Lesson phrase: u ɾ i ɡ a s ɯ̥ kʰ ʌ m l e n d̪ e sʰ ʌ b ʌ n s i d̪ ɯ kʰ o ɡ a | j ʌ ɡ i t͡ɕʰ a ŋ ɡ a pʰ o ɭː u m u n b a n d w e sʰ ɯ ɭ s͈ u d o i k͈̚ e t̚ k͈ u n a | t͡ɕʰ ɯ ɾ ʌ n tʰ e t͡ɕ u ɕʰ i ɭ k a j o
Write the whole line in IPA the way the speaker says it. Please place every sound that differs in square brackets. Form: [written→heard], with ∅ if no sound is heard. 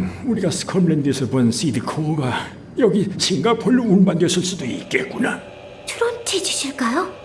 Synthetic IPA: u ɾ i ɡ a s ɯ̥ kʰ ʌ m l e n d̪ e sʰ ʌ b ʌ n s i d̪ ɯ kʰ o ɡ a | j ʌ ɡ i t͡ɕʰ [a→i] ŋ ɡ a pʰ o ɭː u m u n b a n d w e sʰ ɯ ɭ s͈ u d o i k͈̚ e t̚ k͈ u n a | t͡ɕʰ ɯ ɾ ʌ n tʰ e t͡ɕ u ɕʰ i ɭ k a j o

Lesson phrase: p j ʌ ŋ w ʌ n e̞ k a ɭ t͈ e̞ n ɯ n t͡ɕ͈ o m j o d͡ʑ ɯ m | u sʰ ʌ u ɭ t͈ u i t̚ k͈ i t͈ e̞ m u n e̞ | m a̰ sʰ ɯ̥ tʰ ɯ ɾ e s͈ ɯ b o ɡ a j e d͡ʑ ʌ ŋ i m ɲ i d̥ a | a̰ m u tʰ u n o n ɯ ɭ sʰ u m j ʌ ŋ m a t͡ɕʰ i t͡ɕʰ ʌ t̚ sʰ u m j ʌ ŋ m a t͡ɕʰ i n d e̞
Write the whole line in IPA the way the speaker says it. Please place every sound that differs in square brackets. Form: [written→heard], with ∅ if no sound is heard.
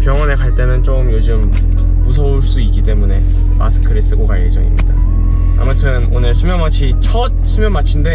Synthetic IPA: p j ʌ ŋ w ʌ n e̞ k a ɭ t͈ e̞ n ɯ n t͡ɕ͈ o m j o d͡ʑ ɯ m | u sʰ ʌ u ɭ [t͈→s͈] u i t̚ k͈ i t͈ e̞ m u n e̞ | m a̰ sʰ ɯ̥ [tʰ→kʰ] ɯ ɾ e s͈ ɯ [b→ɡ] o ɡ a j e d͡ʑ ʌ ŋ i m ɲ i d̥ a | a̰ m u tʰ [u→ɯ] n o n ɯ ɭ sʰ u m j ʌ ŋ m a t͡ɕʰ i t͡ɕʰ ʌ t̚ sʰ u m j ʌ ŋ m a t͡ɕʰ i n d e̞

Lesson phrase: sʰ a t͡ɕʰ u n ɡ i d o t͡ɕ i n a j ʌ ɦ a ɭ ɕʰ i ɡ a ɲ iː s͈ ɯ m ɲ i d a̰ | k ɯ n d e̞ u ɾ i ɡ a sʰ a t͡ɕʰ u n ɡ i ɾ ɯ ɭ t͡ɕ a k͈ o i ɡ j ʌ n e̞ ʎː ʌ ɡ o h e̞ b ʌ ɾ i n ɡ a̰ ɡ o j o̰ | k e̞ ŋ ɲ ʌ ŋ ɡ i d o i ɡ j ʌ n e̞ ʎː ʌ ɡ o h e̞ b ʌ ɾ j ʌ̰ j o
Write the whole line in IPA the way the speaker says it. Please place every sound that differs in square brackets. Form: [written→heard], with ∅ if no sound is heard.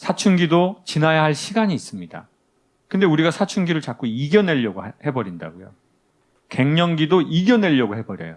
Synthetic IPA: sʰ a t͡ɕʰ u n ɡ i d o t͡ɕ i n a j [ʌ→a] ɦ a ɭ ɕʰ i ɡ a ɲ iː s͈ ɯ m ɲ i d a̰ | k ɯ n d e̞ u ɾ i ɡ a sʰ a t͡ɕʰ u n ɡ i ɾ ɯ ɭ t͡ɕ a k͈ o i ɡ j ʌ n e̞ ʎː ʌ ɡ o h e̞ b ʌ ɾ i n [ɡ→d] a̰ ɡ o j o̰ | k e̞ ŋ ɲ ʌ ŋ ɡ i d o i ɡ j ʌ n e̞ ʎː ʌ ɡ o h e̞ b ʌ ɾ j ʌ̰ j o

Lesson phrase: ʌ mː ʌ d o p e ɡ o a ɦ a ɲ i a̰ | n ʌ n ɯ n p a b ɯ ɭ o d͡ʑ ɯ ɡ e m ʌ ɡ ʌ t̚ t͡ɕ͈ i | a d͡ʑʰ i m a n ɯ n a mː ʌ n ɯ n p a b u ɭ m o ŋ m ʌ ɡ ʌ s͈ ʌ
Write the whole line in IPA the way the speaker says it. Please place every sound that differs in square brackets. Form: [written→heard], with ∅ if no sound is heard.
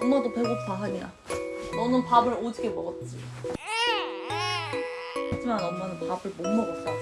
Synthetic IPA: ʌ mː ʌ d o p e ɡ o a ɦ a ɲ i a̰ | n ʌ n ɯ n p a b ɯ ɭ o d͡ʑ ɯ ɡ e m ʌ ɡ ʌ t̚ t͡ɕ͈ i | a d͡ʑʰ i m a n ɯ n [a→ʌ] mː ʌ n ɯ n p a b [u→ɯ] ɭ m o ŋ m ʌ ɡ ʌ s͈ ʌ

